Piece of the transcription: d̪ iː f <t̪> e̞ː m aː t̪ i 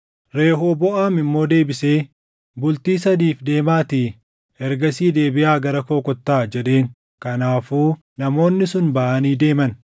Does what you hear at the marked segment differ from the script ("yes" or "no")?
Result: yes